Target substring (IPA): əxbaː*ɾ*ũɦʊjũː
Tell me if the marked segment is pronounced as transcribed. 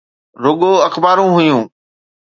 yes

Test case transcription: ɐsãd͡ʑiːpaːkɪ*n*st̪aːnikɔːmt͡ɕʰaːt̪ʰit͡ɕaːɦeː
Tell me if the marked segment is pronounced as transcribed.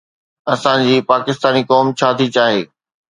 no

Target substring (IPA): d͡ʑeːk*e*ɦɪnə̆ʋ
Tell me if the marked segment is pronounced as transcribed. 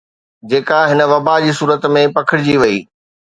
no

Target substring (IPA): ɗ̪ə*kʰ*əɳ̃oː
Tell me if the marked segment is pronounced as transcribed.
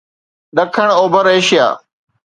yes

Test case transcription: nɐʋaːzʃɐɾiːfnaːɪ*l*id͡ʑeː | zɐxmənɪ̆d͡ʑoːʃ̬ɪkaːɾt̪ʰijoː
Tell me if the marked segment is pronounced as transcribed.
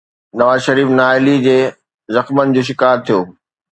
yes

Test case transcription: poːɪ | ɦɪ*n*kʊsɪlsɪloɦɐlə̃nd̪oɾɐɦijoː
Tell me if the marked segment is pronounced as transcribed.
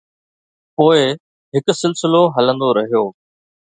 no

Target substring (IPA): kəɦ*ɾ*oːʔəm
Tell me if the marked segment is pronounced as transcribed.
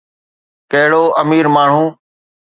no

